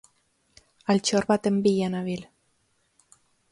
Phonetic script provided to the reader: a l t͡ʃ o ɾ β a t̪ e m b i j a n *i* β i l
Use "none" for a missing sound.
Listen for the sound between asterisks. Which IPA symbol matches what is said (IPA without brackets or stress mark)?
a